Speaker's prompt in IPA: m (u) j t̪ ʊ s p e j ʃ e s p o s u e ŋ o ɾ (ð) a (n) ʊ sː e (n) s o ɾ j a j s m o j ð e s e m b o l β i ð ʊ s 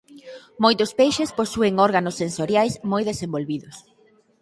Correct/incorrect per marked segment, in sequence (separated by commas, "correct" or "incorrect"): incorrect, incorrect, correct, correct